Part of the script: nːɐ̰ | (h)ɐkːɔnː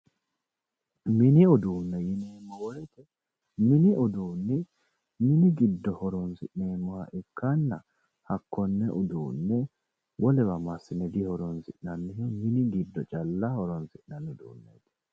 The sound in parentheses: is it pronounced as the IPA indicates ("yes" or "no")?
yes